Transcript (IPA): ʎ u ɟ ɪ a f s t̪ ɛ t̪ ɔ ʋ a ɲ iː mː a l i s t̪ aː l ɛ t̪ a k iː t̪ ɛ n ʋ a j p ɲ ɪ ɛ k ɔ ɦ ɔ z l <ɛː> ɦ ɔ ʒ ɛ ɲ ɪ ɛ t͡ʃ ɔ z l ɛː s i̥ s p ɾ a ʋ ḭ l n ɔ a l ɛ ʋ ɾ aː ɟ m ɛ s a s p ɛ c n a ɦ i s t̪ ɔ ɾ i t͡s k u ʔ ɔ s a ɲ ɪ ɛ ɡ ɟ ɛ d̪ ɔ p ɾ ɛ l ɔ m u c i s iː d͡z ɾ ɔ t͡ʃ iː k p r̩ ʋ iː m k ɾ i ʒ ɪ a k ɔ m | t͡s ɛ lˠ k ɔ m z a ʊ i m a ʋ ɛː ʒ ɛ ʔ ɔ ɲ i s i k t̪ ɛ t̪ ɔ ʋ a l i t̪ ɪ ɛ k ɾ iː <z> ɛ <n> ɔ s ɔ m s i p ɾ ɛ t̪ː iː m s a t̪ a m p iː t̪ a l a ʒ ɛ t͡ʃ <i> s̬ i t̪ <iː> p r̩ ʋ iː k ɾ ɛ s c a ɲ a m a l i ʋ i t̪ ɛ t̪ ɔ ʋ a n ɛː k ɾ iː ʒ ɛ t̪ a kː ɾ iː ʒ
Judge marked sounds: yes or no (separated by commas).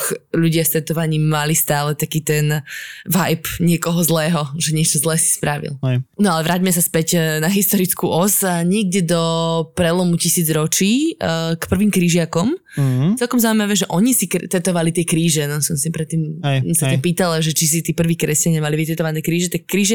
yes, no, yes, yes, yes